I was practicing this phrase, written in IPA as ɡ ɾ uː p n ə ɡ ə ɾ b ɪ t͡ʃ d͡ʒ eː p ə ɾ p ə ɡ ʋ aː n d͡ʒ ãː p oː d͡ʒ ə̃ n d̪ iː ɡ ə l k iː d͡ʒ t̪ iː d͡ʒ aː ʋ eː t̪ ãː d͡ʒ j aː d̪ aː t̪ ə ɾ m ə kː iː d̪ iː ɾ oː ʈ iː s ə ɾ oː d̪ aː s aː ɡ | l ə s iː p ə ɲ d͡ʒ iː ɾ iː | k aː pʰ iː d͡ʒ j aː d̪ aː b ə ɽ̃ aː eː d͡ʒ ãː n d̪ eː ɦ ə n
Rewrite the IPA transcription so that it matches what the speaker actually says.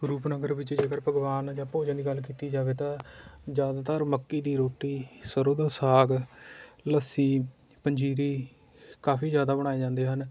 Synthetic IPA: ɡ ɾ uː p n ə ɡ ə ɾ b ɪ t͡ʃ d͡ʒ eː k ə ɾ p ə ɡ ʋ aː n d͡ʒ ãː p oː d͡ʒ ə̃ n d̪ iː ɡ ə l k iː t̪ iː d͡ʒ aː ʋ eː t̪ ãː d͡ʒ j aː d̪ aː t̪ ə ɾ m ə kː iː d̪ iː ɾ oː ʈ iː s ə ɾ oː d̪ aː s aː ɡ | l ə s iː p ə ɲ d͡ʒ iː ɾ iː | k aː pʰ iː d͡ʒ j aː d̪ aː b ə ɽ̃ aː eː d͡ʒ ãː n d̪ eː ɦ ə n